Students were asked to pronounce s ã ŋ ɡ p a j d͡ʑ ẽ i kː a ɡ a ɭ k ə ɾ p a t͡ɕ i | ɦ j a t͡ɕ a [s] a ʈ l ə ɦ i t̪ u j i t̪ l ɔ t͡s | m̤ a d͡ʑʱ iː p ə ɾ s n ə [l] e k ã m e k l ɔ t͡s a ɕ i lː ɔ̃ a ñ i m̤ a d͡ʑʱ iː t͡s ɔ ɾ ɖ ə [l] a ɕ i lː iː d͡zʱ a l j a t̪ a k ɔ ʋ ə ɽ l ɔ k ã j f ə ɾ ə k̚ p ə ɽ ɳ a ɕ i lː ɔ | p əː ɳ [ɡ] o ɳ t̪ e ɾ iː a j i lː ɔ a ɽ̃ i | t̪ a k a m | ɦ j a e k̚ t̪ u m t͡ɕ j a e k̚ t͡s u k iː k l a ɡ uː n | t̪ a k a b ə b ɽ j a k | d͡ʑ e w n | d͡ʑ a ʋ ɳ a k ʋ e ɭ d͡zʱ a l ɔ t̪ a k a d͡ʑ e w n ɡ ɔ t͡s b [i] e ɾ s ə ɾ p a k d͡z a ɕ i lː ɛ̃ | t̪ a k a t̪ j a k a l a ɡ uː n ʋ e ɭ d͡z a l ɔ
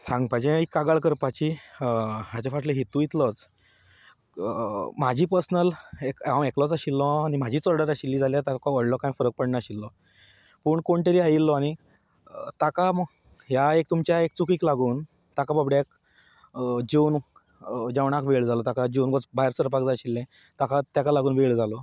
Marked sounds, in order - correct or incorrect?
incorrect: f, correct, incorrect: ɾ, incorrect: k, incorrect: a

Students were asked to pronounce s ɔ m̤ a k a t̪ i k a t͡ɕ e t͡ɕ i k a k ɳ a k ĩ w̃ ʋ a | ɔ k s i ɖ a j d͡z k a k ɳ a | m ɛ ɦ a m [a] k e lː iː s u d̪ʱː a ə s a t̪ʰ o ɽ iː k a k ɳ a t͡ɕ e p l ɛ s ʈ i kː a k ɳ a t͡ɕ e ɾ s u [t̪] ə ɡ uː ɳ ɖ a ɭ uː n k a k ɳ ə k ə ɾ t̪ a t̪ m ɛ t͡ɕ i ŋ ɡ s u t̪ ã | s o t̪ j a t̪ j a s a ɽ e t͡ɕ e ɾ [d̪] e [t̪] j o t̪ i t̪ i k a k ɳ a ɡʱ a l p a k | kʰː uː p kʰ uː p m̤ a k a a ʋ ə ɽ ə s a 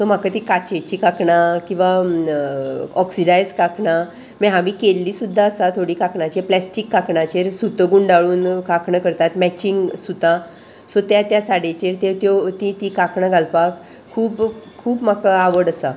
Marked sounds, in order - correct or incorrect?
incorrect: i, correct, incorrect: t̪, correct

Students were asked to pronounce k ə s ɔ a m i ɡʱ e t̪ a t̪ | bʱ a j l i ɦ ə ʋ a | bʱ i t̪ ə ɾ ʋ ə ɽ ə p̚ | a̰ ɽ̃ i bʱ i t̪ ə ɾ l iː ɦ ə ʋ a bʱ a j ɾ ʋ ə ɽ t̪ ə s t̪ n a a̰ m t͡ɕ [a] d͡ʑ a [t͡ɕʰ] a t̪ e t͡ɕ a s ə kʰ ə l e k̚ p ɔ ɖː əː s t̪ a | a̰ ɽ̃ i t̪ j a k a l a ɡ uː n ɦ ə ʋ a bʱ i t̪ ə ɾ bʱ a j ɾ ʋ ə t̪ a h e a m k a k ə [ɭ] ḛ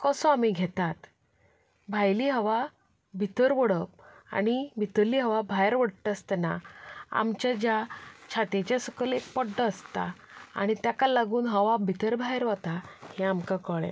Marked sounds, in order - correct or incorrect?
correct, correct, correct

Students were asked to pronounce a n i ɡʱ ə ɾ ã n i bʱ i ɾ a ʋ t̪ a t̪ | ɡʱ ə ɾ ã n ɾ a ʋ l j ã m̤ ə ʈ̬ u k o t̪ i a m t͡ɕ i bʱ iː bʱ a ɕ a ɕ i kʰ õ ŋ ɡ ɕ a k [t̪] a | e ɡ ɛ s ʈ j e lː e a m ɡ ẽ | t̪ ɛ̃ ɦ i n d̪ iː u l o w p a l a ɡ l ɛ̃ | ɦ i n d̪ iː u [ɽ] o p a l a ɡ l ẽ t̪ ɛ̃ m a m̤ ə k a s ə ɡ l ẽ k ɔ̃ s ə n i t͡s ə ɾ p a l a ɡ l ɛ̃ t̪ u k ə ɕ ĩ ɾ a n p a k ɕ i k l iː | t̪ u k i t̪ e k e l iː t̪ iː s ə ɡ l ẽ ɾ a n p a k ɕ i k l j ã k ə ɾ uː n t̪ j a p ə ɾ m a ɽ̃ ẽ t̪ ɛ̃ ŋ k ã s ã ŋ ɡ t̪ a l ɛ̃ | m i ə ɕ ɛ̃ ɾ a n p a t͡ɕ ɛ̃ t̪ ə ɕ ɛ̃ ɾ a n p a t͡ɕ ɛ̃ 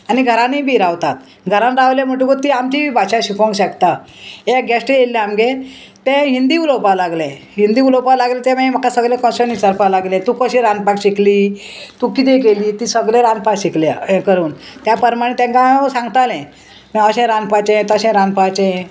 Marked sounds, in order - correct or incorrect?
correct, incorrect: l

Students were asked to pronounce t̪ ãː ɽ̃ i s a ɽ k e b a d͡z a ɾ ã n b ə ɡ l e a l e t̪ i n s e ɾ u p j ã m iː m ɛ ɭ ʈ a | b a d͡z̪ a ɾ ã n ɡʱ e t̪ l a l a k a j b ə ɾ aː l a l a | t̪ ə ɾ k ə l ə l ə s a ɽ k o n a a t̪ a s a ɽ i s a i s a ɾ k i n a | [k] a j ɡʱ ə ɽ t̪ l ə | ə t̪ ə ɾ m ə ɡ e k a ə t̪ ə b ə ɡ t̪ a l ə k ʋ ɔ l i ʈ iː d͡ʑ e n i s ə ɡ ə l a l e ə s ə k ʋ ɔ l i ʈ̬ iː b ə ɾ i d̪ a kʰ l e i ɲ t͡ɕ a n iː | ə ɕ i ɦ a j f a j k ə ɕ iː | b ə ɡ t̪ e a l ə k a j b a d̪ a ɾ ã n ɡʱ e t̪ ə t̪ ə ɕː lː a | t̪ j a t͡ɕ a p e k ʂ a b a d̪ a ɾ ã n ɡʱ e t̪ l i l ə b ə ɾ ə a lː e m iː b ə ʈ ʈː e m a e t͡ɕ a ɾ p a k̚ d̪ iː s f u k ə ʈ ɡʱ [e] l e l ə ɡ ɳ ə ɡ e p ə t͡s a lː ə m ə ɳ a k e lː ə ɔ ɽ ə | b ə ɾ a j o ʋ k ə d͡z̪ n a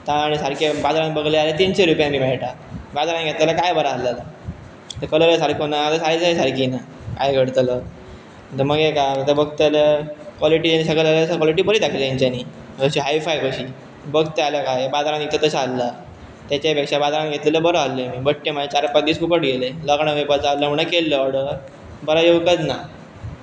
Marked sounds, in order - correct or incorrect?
correct, correct

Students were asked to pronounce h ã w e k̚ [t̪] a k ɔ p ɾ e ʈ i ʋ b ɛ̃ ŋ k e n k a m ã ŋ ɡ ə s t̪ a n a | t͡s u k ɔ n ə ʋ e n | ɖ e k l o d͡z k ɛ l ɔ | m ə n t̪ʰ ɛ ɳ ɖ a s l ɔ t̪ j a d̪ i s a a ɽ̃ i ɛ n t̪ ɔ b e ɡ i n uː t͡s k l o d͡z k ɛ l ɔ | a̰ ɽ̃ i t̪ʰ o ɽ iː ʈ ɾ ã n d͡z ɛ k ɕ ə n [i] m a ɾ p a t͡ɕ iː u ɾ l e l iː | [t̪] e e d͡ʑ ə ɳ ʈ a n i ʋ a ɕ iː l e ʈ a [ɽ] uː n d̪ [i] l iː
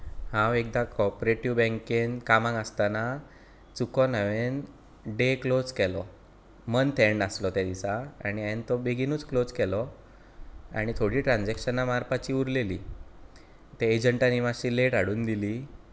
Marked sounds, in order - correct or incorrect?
incorrect: d̪, incorrect: a, correct, correct, correct

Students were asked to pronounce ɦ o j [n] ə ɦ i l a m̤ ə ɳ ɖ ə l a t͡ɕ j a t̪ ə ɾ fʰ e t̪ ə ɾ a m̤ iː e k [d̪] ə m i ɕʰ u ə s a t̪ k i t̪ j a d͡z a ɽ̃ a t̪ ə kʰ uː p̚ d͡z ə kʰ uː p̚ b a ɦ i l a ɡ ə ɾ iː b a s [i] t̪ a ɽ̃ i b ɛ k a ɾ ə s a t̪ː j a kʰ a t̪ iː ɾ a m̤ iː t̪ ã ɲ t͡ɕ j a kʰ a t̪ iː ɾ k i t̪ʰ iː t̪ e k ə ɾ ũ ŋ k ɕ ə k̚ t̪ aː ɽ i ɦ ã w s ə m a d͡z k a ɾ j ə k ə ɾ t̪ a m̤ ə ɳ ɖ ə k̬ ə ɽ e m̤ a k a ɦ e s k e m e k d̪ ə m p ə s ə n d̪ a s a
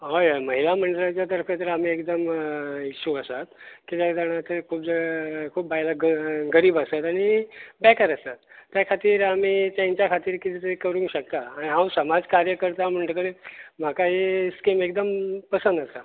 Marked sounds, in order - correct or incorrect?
incorrect: m, correct, incorrect: a

